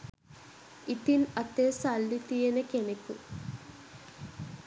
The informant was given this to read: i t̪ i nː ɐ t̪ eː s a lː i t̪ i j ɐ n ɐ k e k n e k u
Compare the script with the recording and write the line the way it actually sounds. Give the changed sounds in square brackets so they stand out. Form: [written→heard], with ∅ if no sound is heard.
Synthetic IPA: i t̪ i [nː→n] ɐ t̪ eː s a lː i t̪ i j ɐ n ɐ k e [k→∅] n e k u